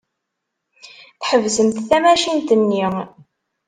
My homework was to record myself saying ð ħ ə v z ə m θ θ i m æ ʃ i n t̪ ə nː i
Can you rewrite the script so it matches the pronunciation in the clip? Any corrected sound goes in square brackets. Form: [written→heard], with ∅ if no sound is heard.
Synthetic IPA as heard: [ð→θ] ħ ə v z ə m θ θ [i→æ] m æ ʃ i n t̪ ə nː i